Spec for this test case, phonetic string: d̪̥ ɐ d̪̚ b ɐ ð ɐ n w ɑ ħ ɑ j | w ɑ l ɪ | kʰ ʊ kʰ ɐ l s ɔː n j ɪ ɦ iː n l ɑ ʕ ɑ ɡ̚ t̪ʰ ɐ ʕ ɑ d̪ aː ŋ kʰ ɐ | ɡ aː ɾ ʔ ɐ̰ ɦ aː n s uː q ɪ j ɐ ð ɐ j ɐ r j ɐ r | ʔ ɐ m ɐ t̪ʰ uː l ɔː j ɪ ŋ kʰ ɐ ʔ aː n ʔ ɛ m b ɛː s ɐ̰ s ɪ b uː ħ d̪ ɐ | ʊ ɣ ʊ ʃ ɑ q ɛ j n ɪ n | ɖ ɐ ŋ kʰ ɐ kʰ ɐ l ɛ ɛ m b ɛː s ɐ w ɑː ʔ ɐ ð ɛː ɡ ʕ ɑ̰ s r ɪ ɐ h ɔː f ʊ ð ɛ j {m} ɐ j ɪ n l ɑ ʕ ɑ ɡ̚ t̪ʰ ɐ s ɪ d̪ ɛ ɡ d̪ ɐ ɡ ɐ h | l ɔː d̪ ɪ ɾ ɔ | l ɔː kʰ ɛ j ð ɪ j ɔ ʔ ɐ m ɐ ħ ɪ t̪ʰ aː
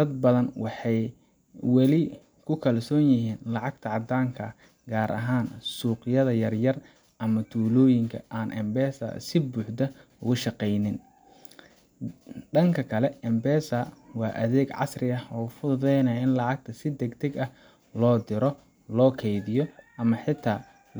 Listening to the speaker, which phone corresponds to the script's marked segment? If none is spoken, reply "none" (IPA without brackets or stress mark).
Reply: n